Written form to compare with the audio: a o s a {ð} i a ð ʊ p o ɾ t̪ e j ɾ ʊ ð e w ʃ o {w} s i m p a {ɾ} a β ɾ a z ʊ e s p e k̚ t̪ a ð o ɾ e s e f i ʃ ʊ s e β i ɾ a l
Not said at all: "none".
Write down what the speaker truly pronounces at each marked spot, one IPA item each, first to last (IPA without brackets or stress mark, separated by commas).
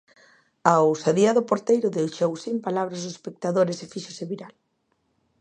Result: ð, w, l